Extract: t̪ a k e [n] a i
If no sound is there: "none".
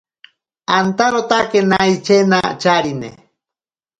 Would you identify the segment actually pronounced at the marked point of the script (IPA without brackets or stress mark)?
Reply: n